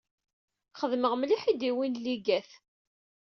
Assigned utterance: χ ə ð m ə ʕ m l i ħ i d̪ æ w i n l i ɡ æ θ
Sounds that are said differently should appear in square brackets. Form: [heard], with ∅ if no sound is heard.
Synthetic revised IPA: χ ə ð m ə [ʁ] m l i ħ i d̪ [i] w i n l i ɡ æ θ